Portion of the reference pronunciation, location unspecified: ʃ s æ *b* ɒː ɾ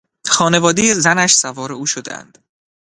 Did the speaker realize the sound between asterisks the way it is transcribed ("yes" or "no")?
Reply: no